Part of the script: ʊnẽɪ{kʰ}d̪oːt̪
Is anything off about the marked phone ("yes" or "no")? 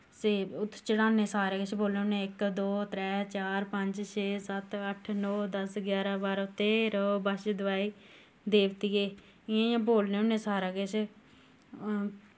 yes